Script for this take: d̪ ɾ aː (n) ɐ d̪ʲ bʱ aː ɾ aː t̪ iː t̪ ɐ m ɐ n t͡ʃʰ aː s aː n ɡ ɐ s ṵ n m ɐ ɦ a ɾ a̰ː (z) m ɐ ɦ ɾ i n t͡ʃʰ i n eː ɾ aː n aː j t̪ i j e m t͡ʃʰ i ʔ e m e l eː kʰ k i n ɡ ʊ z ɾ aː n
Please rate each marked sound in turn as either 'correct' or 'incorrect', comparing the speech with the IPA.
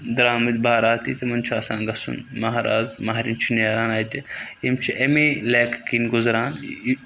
incorrect: m, correct

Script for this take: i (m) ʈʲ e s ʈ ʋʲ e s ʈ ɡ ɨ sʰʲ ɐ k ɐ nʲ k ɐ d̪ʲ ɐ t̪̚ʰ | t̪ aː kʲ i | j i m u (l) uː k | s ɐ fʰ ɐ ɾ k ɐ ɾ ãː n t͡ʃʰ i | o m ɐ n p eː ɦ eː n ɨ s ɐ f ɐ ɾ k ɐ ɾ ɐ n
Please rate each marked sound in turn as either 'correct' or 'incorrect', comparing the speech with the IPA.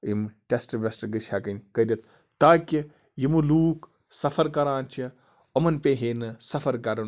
correct, correct

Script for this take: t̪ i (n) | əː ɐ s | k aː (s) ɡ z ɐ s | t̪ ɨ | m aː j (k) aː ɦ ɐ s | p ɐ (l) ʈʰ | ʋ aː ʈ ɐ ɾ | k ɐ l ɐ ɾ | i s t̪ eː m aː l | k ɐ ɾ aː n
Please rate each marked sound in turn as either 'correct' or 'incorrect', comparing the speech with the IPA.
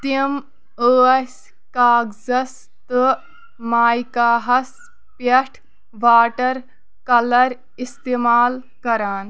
incorrect: m, incorrect: none, correct, incorrect: none

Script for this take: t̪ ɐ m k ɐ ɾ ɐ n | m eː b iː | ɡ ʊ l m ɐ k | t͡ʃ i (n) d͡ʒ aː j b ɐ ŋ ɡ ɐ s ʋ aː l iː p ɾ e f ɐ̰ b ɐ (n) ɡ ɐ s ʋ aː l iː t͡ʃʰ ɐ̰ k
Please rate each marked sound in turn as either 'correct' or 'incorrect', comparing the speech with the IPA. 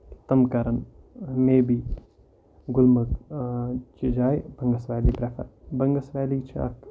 incorrect: none, incorrect: ŋ

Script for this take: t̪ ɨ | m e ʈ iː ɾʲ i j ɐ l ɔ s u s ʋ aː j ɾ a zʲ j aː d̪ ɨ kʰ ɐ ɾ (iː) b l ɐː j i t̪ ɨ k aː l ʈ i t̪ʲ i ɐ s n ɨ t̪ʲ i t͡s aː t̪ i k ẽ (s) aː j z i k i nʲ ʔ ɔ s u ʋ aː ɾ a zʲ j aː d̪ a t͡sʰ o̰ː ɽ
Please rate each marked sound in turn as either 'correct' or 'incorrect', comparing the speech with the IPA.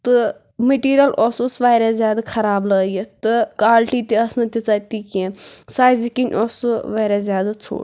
incorrect: aː, correct

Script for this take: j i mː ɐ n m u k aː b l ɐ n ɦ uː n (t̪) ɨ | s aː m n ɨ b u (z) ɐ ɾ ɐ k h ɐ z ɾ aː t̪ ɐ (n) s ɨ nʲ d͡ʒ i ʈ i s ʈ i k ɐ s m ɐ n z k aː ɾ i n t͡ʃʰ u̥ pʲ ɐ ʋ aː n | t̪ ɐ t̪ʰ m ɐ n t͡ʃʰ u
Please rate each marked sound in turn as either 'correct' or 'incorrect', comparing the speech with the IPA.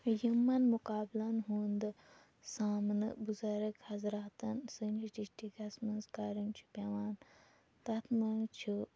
incorrect: d̪, correct, correct

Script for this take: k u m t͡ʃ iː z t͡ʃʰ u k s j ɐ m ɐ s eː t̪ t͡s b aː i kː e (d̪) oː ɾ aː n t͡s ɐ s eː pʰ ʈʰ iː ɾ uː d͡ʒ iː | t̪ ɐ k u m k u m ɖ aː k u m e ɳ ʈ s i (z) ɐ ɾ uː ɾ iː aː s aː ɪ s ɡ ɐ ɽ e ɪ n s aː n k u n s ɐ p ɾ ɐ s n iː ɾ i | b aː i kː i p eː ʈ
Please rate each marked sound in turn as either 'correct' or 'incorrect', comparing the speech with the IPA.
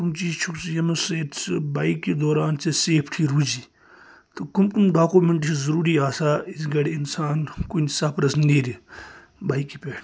correct, correct

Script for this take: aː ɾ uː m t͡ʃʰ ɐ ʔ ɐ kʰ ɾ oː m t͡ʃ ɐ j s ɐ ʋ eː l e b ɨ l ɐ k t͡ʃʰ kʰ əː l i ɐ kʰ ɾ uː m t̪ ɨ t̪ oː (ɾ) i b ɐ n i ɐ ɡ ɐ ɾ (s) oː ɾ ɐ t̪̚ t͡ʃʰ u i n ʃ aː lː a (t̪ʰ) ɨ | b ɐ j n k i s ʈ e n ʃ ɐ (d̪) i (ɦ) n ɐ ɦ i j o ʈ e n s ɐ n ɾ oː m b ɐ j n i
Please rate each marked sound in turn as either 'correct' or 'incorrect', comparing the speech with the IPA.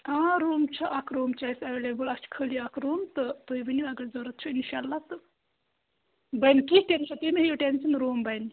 incorrect: none, incorrect: z, incorrect: t̪, incorrect: t̪, incorrect: none

